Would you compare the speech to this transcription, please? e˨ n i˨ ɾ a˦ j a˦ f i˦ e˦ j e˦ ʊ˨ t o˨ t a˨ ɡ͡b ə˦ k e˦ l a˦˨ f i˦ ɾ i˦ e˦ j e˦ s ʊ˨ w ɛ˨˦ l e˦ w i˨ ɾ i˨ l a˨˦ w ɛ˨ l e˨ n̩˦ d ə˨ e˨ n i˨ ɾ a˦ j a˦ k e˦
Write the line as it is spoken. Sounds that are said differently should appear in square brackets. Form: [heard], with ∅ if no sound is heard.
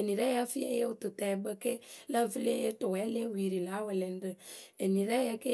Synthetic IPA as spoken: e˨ n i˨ ɾ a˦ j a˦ f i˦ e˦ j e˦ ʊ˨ t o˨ t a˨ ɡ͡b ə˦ k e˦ l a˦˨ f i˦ [l] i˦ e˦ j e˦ [t] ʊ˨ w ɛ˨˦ l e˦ w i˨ ɾ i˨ l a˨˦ w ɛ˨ l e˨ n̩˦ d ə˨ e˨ n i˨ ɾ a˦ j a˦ k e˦

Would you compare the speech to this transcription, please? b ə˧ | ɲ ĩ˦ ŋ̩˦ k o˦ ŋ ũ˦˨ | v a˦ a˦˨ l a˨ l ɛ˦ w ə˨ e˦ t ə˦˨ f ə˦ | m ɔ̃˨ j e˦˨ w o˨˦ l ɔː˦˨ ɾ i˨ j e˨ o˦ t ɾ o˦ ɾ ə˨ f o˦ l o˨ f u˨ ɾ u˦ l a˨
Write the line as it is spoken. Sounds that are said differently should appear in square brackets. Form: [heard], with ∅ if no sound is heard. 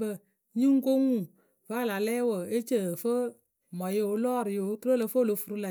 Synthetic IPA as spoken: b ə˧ | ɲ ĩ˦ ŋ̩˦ k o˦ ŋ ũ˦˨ | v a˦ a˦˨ l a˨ l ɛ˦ w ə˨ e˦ [t͡ʃ] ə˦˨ f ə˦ | m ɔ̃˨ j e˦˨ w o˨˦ l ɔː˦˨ ɾ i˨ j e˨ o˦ t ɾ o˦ [l] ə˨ f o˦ l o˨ f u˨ ɾ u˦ l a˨

